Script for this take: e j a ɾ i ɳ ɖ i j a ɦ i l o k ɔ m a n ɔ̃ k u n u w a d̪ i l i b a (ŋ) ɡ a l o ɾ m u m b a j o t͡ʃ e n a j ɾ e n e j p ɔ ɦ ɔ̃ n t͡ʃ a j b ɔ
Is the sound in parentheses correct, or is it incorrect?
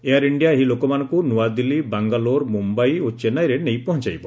correct